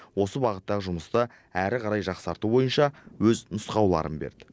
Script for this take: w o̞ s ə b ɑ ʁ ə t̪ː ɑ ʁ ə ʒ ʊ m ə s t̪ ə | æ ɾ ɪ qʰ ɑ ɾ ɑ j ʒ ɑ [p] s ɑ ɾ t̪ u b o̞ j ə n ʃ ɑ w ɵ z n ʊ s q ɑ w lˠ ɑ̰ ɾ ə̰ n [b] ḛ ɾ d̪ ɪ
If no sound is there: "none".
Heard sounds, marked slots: q, b

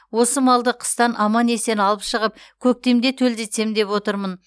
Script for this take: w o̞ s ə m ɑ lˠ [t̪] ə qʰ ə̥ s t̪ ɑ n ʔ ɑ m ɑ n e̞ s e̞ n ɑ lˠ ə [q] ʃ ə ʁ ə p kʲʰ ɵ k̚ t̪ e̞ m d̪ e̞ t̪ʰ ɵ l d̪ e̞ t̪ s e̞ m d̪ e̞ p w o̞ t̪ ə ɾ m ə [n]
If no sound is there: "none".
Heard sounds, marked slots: d̪, p, n

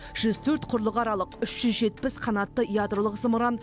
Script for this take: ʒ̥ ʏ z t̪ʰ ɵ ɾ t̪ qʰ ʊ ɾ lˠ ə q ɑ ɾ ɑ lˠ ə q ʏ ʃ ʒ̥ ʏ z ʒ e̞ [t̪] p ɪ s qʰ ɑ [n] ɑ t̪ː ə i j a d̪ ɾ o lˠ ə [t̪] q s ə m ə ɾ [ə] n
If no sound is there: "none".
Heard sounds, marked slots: t̪, n, none, ɑ

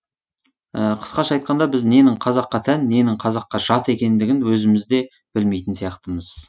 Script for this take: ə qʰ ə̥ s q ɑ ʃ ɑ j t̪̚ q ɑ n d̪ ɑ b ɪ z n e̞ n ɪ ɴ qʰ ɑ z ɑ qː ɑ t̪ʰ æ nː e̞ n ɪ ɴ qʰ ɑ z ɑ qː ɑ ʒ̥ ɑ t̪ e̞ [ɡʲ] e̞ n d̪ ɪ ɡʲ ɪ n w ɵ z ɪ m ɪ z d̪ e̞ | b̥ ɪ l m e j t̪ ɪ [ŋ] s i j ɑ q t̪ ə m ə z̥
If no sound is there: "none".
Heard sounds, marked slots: kʲ, n

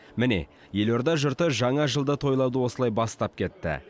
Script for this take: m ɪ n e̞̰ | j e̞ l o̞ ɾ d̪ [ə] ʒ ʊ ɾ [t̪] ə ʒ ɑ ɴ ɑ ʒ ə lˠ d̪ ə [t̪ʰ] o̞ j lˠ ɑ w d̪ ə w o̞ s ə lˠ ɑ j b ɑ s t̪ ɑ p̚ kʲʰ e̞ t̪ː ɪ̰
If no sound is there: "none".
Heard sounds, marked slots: ɑ, t̪, t̪ʰ

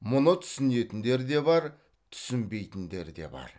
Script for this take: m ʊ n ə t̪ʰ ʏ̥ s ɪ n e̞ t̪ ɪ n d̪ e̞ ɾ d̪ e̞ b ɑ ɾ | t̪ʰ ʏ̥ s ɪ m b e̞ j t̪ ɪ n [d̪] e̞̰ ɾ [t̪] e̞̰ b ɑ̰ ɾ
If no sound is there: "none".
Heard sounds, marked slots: d̪, d̪

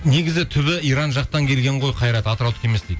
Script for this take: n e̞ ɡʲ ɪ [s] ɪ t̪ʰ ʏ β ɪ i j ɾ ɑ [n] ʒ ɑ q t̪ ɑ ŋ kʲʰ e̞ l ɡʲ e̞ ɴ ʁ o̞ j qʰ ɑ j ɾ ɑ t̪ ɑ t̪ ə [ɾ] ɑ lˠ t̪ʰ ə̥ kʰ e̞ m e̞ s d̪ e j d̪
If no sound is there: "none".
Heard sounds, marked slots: z, n, ɾ

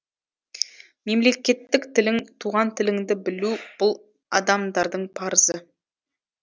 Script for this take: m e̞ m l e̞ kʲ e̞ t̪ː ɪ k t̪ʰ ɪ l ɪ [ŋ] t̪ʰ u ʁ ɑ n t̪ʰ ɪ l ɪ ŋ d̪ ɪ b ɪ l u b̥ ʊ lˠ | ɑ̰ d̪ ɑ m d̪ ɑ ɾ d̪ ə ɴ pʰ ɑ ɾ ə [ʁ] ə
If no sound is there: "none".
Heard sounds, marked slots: ŋ, z

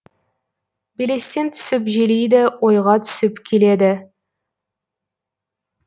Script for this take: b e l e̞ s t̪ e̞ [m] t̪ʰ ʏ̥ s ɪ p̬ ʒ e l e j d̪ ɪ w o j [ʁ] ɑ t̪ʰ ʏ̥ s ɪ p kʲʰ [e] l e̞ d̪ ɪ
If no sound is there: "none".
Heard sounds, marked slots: n, ʁ, e

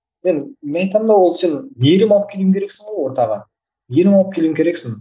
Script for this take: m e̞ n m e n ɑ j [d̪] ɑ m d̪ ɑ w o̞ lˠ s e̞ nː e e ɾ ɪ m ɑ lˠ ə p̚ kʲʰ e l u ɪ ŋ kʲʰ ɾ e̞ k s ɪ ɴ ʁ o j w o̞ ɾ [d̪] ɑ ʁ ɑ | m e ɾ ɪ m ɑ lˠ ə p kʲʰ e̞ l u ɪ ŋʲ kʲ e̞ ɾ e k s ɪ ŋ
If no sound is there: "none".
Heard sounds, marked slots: t̪, t̪

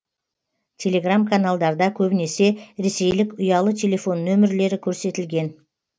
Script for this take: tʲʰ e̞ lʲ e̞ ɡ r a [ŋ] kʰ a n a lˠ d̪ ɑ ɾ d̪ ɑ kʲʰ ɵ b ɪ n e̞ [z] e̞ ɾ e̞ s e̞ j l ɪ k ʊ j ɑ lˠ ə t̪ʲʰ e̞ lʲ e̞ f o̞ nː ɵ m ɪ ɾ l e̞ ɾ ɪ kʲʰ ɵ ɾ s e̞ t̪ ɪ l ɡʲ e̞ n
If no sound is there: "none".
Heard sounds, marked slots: m, s

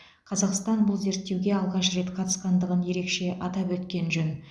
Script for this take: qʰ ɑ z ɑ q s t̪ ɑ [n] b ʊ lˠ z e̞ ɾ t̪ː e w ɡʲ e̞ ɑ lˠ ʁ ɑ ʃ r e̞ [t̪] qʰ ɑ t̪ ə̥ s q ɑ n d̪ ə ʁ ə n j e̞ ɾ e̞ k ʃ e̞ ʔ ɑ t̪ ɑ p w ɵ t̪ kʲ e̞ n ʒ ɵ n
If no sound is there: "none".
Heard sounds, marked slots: n, t̪

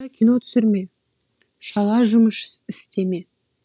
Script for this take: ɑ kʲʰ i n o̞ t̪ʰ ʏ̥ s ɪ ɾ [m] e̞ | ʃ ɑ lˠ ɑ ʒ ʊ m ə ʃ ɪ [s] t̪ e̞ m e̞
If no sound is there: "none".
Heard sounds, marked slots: m, s

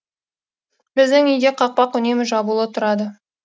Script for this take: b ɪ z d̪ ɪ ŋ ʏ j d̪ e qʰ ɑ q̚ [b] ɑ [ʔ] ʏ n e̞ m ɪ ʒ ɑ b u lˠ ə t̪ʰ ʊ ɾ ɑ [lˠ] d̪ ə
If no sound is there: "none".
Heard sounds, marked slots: p, q, none

